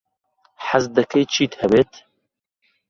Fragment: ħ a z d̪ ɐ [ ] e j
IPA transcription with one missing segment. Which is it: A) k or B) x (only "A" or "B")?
A